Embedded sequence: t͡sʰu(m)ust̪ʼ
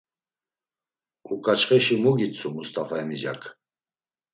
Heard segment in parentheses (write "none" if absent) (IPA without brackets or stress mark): m